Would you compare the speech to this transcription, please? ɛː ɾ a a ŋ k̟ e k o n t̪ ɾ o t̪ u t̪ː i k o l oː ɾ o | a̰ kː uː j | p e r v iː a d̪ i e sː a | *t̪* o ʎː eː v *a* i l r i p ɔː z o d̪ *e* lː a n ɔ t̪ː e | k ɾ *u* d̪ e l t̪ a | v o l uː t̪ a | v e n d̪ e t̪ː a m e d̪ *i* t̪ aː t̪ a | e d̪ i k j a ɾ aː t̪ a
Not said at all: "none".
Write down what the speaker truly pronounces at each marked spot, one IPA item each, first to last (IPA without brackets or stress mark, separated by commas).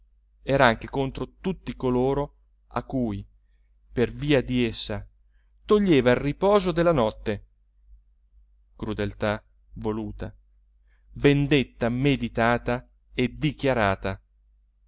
t̪, a, e, u, i